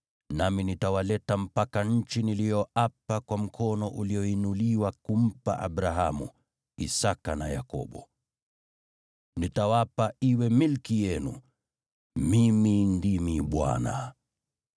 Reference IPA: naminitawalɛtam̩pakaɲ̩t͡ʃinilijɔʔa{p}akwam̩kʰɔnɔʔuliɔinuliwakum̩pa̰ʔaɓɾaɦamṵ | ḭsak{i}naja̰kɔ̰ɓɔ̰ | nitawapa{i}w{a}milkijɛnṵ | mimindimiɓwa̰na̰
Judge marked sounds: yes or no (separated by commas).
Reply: yes, no, yes, no